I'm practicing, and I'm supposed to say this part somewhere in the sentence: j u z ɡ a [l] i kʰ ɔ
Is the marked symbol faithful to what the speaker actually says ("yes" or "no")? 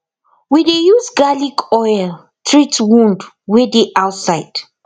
yes